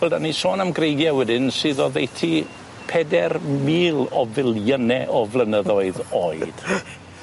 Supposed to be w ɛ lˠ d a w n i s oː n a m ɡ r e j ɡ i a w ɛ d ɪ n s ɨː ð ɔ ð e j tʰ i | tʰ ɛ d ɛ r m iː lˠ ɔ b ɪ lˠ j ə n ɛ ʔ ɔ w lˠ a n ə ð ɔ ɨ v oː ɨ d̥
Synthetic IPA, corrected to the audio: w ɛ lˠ d a n i s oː n a m ɡ r e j ɡ j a w ɛ d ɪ n s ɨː ð ɔ ð e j tʰ i | pʰ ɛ d ɛ r m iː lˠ ɔ v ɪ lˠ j ə n ɛ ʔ ɔ v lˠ ə n ə ð ɔ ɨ ð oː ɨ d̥